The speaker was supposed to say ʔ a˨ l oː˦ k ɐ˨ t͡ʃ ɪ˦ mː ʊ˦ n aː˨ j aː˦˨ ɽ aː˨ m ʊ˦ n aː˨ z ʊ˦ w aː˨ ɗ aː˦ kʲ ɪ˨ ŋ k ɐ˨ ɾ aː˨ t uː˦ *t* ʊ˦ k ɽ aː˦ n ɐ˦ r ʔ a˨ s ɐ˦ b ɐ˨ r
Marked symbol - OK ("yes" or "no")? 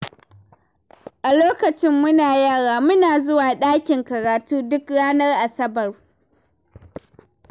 no